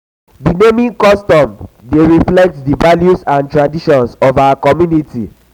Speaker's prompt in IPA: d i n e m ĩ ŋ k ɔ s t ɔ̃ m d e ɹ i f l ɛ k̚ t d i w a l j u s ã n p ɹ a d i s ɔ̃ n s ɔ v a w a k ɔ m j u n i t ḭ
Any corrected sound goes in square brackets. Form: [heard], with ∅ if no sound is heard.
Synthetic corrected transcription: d i n e m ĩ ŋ k ɔ s t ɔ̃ m d e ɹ i f l ɛ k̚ t d i [v] a l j u s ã n [t] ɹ a d i [ʃ] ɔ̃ n s ɔ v a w a k ɔ m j u n i t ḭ